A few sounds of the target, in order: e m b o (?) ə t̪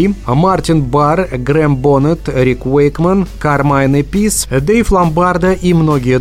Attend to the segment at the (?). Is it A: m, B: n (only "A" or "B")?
B